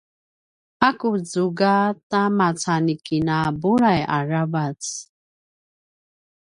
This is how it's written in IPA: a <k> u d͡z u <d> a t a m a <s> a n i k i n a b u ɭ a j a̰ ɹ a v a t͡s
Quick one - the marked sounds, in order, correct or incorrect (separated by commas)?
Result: correct, incorrect, incorrect